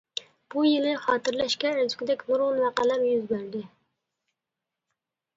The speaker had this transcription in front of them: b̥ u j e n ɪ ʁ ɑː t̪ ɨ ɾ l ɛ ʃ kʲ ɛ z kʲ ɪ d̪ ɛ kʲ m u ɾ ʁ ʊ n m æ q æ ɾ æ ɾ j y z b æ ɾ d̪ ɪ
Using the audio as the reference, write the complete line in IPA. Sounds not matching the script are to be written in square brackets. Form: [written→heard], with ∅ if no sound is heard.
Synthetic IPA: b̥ u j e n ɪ [ʁ→χ] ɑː t̪ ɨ ɾ l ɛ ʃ kʲ ɛ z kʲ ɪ d̪ ɛ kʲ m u ɾ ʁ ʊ n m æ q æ [ɾ→l] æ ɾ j y z b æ ɾ d̪ ɪ